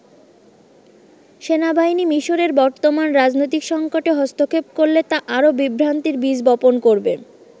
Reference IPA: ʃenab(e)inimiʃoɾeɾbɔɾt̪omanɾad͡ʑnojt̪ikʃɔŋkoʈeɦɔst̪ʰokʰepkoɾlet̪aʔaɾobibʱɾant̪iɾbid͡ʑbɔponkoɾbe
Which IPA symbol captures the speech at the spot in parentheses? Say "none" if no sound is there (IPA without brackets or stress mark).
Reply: a